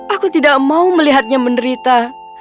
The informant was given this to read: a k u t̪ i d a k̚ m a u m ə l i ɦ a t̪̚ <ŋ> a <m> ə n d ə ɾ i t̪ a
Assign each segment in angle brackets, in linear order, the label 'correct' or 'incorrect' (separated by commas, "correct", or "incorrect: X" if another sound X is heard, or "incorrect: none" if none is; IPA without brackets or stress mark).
incorrect: ɲ, correct